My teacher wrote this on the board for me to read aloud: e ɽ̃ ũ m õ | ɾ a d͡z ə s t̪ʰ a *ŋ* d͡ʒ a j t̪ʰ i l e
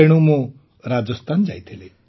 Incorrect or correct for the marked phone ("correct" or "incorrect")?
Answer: incorrect